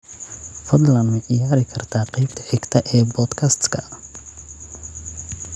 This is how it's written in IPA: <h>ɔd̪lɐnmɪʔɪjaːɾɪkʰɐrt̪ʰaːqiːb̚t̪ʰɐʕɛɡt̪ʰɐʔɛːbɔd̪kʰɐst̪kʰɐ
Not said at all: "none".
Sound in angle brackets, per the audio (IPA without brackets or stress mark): f